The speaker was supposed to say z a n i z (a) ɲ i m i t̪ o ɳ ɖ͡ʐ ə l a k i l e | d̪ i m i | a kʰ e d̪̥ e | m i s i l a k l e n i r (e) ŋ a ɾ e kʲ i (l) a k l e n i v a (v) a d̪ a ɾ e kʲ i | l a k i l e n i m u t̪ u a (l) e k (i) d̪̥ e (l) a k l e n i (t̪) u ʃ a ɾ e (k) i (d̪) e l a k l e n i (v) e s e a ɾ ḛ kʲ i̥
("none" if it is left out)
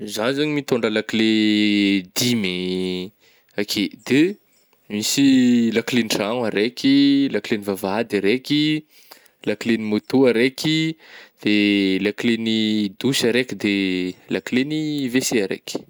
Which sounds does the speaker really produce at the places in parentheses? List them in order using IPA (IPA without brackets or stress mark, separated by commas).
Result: a, a, l, v, ɾ, i, l, d̪, k, d̪, v